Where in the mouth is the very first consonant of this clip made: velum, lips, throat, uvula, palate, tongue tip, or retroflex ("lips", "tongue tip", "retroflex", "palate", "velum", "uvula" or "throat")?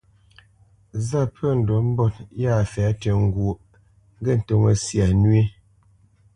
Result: tongue tip